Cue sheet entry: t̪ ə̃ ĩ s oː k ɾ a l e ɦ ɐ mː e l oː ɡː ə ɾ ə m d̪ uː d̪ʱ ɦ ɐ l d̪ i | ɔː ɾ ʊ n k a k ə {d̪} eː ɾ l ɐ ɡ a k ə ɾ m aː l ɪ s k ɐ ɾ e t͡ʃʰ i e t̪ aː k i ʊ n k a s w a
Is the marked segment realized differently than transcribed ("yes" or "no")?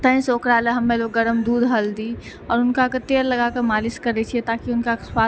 yes